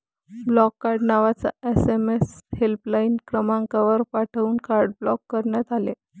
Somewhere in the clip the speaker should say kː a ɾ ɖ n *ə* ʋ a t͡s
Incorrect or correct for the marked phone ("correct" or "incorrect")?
incorrect